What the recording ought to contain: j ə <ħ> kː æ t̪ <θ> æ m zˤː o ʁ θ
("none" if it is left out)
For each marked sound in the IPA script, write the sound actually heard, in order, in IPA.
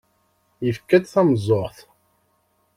f, θ

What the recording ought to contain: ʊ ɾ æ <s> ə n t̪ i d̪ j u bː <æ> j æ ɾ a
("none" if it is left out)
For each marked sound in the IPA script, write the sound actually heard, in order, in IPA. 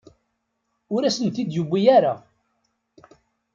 s, i

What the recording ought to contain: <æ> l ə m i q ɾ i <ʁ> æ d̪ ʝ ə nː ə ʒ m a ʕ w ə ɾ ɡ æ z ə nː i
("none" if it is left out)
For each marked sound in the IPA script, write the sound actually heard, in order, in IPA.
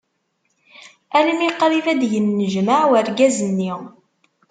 æ, v

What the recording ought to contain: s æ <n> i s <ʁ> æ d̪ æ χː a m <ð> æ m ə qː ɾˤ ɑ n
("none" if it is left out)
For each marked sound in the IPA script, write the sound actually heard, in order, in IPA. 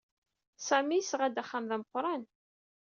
m, ʁ, ð

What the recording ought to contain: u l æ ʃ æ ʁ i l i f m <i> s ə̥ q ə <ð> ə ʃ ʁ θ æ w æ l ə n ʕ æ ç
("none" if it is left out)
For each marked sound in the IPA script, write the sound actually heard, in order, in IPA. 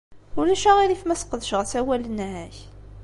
æ, ð

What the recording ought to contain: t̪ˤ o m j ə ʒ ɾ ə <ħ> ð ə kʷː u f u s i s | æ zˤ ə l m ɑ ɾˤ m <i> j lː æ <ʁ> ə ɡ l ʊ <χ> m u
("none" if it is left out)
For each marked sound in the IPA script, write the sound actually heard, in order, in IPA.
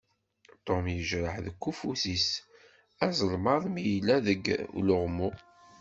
ħ, i, ð, ʁ

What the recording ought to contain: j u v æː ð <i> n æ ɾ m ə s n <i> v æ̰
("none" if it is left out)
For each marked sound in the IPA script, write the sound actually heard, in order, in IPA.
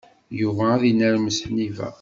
i, i

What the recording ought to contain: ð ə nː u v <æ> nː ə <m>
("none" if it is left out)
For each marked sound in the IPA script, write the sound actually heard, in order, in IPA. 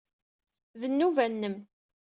æ, m

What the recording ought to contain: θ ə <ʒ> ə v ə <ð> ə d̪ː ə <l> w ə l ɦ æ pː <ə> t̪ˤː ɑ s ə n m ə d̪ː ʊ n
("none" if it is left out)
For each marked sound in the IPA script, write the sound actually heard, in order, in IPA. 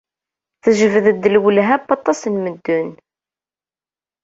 ʒ, ð, l, ɑ

